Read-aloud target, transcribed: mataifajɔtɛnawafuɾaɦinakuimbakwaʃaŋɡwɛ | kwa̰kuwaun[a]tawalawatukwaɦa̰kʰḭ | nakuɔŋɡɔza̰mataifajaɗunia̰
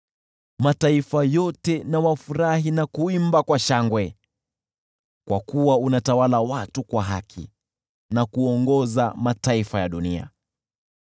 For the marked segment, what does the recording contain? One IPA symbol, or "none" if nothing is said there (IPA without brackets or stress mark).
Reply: a